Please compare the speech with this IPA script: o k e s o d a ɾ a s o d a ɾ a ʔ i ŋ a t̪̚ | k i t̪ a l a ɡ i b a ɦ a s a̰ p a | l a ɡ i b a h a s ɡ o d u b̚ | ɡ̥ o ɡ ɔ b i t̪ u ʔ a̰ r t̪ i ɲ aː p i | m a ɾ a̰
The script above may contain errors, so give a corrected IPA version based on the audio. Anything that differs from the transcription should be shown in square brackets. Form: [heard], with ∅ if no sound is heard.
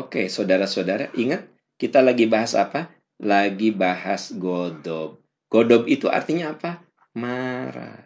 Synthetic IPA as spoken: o k e s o d a ɾ a s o d a ɾ a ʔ i ŋ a t̪̚ | k i t̪ a l a ɡ i b a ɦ a s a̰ p a | l a ɡ i b a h a s ɡ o d [ɔ] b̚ | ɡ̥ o [d] ɔ b i t̪ u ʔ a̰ r t̪ i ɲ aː p [a] | m a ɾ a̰